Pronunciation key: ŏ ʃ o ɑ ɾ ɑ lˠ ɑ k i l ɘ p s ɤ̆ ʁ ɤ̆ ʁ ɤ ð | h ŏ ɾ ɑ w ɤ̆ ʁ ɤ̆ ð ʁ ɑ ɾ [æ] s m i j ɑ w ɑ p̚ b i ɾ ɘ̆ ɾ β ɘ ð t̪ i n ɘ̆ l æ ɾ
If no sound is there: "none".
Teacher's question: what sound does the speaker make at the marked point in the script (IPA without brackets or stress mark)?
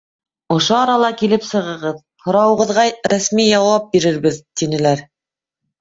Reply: æ